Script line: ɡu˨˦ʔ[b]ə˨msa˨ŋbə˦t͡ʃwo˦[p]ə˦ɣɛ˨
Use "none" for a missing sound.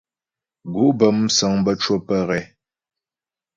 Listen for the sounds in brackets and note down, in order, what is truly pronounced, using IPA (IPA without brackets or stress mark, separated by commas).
b, p